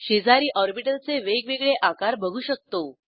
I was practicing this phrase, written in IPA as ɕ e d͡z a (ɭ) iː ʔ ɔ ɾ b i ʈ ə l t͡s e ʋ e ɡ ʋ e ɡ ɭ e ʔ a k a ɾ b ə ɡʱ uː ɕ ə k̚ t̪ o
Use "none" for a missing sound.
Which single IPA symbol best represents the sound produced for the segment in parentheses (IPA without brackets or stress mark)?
ɾ